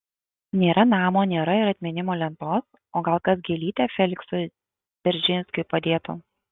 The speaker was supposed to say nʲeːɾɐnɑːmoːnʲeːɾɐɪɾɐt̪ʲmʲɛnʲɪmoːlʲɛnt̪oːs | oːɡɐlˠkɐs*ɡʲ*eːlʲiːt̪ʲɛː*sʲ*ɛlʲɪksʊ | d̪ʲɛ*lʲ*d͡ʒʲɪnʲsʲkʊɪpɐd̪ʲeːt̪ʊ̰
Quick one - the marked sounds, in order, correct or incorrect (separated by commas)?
correct, incorrect, incorrect